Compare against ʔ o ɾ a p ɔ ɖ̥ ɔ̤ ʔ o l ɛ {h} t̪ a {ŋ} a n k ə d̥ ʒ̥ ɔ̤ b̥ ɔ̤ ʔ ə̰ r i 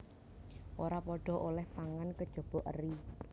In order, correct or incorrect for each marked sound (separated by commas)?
correct, correct